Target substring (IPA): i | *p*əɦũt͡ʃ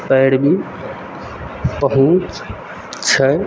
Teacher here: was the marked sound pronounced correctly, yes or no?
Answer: yes